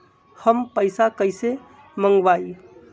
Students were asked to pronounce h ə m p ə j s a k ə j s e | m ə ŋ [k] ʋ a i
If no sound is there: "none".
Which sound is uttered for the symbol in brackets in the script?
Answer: ɡ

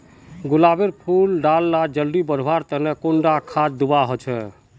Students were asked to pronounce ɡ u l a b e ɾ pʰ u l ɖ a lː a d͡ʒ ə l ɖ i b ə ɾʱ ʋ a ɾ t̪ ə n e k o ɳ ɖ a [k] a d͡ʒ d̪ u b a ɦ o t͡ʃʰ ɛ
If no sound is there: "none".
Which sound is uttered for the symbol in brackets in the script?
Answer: kʰ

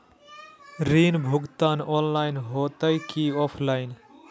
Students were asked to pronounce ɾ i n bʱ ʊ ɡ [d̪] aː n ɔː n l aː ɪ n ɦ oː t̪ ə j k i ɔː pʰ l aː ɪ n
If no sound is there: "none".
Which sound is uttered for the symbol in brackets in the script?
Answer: t̪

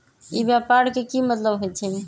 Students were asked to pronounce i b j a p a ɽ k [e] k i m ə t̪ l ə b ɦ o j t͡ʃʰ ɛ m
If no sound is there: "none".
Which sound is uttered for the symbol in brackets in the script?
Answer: e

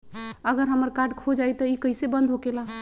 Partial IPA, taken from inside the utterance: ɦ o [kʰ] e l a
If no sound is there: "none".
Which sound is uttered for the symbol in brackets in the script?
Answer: k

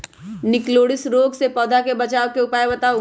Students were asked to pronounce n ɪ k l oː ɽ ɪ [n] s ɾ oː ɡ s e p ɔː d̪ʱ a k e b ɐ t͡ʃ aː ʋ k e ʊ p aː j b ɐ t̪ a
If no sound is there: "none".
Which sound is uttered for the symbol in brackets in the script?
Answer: none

